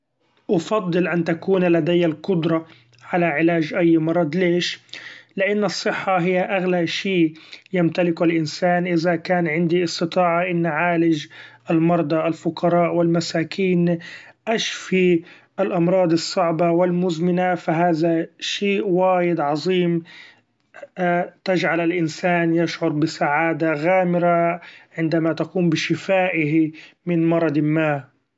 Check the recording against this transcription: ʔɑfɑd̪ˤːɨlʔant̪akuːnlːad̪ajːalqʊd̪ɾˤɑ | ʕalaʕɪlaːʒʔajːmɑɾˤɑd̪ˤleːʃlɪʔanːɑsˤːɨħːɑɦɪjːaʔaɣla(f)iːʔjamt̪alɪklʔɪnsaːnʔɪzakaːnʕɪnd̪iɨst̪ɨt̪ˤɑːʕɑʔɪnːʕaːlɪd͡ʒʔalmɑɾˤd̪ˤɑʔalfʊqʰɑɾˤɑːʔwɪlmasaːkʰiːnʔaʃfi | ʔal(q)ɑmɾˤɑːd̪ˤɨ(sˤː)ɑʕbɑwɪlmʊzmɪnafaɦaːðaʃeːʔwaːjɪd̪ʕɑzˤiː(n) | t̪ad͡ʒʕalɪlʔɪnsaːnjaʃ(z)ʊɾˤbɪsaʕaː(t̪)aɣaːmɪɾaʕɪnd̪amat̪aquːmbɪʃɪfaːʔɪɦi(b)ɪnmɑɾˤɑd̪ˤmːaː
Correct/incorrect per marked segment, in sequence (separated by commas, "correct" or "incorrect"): incorrect, incorrect, correct, incorrect, incorrect, incorrect, incorrect